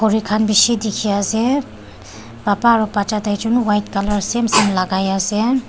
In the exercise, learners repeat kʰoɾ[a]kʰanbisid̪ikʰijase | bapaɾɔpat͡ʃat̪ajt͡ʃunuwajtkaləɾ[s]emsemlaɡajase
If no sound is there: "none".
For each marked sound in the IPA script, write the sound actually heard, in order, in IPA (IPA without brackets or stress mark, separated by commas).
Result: i, s